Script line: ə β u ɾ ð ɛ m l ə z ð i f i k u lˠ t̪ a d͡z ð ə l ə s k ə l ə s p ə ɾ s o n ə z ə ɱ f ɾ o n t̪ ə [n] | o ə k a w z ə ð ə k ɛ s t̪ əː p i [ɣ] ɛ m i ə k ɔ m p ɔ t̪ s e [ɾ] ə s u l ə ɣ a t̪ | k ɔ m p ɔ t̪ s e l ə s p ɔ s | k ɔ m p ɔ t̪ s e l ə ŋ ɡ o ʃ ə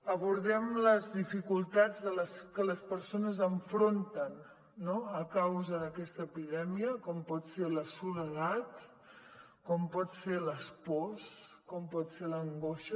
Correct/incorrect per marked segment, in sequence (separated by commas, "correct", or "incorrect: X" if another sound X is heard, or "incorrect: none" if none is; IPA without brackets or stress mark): incorrect: nː, incorrect: ð, incorrect: l